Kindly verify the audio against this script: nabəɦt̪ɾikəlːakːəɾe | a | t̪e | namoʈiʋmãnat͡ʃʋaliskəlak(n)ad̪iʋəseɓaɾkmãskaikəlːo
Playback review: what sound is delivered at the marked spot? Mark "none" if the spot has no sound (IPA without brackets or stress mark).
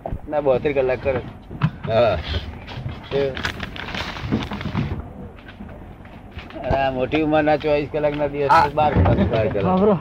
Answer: n